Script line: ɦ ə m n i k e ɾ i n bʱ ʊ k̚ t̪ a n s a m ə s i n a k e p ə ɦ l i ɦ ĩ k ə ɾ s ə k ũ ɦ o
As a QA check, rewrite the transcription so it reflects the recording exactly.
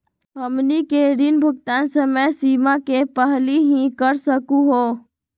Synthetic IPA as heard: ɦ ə m n i k e ɾ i n bʱ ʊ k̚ t̪ a n s ə m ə s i m a k e p ə ɦ l i ɦ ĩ k ə ɾ s ə k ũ ɦ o